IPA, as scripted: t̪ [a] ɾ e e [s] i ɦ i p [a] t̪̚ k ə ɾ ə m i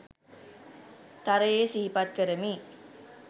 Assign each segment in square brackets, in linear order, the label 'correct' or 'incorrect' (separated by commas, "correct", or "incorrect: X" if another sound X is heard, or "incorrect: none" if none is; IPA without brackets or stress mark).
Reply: correct, correct, correct